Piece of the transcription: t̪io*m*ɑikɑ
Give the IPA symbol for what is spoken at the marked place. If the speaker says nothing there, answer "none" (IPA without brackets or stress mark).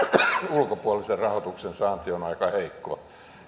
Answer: n